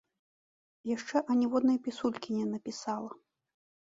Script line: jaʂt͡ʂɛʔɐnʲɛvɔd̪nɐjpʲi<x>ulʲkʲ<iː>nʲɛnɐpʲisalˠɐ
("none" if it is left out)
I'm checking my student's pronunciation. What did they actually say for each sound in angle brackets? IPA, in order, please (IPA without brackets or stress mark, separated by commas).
s, i